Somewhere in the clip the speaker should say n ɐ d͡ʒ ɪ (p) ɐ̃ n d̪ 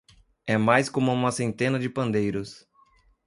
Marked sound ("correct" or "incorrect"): correct